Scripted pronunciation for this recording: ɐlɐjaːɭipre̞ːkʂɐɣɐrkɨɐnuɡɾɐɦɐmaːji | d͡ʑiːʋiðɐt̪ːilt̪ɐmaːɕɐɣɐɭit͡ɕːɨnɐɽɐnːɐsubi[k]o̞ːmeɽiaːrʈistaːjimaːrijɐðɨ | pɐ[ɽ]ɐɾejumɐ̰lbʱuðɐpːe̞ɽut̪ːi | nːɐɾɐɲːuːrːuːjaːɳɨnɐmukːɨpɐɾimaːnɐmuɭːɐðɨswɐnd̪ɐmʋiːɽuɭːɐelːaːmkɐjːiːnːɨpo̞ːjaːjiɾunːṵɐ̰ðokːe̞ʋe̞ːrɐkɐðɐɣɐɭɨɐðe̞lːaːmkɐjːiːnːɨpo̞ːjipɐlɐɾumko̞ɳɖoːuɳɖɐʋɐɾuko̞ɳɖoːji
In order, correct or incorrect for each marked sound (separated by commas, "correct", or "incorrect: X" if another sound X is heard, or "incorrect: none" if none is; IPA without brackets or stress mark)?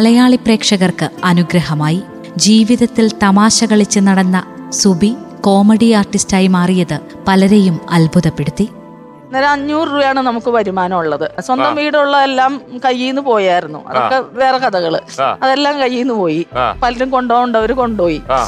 correct, incorrect: l